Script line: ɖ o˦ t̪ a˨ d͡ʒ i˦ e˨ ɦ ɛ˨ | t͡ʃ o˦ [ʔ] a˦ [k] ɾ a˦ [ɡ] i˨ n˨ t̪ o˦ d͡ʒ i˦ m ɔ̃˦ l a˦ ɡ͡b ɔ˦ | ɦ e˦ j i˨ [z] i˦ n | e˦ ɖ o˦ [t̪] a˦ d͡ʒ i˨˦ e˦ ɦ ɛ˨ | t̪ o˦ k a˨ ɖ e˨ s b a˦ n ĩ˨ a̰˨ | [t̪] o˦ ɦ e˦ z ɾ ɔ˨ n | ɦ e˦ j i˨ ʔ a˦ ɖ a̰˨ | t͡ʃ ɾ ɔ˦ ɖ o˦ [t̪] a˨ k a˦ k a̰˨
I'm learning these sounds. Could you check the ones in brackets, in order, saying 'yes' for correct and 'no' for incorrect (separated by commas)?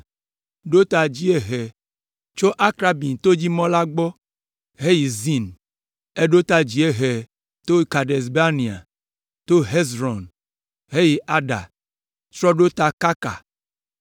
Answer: yes, yes, no, yes, yes, yes, yes